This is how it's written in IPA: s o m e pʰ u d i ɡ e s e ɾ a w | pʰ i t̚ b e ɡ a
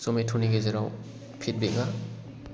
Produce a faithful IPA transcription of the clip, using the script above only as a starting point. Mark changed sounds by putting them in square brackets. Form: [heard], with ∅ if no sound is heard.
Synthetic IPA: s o m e [tʰ] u [n] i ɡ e [z] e ɾ a w | pʰ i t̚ b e [ŋ] a